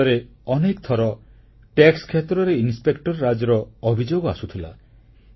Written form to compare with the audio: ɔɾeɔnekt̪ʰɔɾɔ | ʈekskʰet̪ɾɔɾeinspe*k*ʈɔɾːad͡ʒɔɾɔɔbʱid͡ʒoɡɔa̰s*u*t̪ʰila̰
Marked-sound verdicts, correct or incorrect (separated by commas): correct, correct